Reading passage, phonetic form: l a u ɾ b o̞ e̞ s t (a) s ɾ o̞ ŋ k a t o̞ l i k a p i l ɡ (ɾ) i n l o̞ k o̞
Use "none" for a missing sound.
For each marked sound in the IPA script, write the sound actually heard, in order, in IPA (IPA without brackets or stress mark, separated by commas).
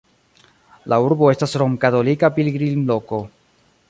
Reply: a, ɾ